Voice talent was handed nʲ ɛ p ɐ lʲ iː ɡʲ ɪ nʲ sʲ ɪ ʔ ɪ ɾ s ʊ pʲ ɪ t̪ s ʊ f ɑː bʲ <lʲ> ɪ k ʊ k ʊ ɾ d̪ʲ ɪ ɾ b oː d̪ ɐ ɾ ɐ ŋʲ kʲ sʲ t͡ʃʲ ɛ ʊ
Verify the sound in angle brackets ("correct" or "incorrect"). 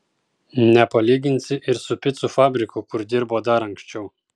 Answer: incorrect